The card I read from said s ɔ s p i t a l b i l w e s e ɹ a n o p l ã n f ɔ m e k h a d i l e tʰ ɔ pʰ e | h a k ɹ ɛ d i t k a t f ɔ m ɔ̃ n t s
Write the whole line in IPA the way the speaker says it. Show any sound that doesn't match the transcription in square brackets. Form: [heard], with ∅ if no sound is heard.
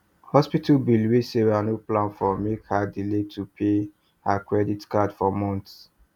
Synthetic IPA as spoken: [h] ɔ s p i t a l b i l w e s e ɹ a n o p l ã n f ɔ m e k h a d i l e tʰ [u] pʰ e | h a k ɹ ɛ d i t k a [d] f ɔ m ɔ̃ n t s